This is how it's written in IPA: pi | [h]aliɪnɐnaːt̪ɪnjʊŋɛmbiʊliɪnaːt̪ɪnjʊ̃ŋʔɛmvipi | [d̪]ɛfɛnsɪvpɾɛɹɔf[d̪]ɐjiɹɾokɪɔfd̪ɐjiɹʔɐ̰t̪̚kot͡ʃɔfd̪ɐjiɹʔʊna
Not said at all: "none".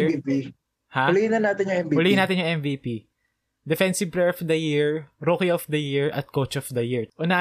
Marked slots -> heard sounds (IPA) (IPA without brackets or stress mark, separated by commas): h, d̪, d̪